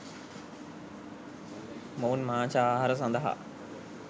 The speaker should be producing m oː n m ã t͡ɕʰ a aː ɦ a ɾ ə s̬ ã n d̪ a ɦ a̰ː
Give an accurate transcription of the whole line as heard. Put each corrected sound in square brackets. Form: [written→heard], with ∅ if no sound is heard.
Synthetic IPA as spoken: m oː n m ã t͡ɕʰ a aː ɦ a ɾ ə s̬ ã n d̪ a ɦ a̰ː